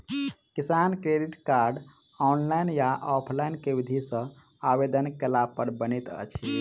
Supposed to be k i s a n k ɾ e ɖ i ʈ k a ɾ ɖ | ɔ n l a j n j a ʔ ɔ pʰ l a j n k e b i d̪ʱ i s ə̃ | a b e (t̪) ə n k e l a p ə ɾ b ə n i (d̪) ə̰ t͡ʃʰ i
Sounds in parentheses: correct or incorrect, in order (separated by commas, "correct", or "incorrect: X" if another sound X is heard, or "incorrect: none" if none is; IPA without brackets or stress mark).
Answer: incorrect: d̪, incorrect: t̪